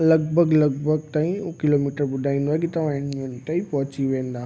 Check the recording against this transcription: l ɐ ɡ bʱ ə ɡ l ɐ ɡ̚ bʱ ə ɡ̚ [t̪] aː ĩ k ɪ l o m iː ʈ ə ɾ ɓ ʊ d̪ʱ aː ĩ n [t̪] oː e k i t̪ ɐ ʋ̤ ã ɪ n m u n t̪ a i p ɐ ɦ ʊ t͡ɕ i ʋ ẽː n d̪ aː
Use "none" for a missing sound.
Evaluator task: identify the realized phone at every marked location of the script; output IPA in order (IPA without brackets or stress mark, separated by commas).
t̪, d̪